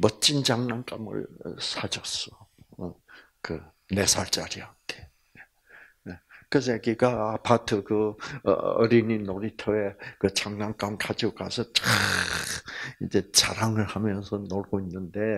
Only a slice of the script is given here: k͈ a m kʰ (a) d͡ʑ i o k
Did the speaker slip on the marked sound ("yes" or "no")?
no